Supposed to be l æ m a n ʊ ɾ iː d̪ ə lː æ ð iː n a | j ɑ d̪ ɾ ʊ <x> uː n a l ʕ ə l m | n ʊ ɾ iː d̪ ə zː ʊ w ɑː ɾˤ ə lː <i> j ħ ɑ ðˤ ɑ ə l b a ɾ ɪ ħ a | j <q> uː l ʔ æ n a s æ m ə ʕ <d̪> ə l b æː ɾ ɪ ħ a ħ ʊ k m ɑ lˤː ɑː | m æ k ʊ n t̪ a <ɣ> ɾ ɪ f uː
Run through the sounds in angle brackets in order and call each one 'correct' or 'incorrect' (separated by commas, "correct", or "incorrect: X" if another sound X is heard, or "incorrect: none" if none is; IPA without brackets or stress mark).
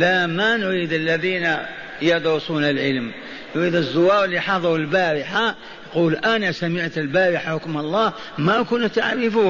incorrect: s, correct, correct, incorrect: t̪, incorrect: ʕ